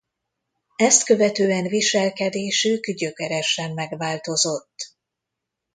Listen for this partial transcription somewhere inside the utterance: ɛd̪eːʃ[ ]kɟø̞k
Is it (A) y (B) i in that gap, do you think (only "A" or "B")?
A